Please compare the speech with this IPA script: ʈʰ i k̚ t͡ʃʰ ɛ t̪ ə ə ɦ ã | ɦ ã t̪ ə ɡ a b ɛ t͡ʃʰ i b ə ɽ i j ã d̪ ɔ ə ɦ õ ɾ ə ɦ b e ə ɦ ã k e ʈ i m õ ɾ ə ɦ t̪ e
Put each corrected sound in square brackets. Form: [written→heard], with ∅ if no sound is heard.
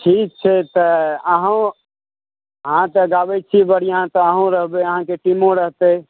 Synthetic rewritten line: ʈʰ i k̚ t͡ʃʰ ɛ t̪ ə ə ɦ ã | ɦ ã t̪ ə ɡ a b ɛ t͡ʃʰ i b ə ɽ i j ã [d̪→t̪] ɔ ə ɦ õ ɾ ə ɦ b e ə ɦ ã k e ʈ i m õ ɾ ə ɦ t̪ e